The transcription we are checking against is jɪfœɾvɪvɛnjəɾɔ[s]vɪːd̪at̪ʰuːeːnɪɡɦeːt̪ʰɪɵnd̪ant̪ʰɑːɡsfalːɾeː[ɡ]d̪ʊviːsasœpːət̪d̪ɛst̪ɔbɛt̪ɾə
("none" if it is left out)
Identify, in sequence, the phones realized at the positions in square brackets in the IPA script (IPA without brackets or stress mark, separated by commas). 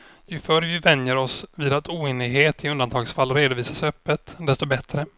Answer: s, none